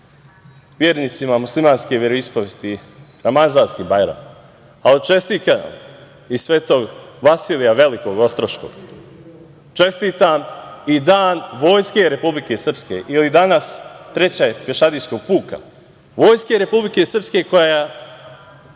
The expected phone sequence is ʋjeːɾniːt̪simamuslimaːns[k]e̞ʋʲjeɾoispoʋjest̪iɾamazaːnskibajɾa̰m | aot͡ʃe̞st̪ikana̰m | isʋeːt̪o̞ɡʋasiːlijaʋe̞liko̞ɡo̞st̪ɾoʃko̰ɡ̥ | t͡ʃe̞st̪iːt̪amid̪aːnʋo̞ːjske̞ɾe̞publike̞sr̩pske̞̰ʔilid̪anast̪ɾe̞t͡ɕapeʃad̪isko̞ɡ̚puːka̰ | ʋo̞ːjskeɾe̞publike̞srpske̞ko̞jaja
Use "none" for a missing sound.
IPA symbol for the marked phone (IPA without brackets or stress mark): k